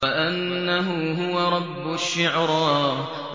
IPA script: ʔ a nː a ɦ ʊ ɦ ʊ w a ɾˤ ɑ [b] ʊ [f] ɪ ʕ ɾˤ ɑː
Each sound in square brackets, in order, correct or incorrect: incorrect, incorrect

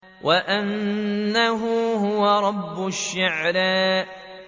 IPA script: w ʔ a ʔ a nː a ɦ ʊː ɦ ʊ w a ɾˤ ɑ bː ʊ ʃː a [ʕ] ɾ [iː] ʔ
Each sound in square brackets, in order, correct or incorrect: correct, incorrect

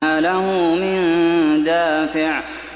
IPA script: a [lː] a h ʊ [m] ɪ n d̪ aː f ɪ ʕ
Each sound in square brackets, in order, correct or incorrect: incorrect, correct

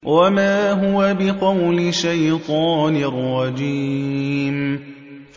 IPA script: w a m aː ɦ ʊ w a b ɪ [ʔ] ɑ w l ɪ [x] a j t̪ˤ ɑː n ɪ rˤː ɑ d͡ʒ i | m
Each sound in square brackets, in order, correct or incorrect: incorrect, incorrect

